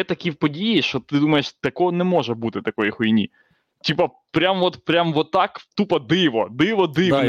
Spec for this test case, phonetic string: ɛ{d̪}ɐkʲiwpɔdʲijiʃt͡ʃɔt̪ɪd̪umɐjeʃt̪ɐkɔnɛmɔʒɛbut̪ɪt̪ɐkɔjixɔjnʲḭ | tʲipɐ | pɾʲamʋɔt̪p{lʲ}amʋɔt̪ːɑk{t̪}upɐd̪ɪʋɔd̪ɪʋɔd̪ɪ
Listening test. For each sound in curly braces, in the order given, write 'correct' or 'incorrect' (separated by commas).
incorrect, incorrect, correct